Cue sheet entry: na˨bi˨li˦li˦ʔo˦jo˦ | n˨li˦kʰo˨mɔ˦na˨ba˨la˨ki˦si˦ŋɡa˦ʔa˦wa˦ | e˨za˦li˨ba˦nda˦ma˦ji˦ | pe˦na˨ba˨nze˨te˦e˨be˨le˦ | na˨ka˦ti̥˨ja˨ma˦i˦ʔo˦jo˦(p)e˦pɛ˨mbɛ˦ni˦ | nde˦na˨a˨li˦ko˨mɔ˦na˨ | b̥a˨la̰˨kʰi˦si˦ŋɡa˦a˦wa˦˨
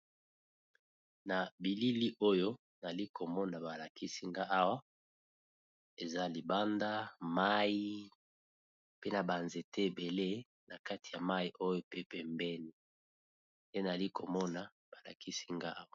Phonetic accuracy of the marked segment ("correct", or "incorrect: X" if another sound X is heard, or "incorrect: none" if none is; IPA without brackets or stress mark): correct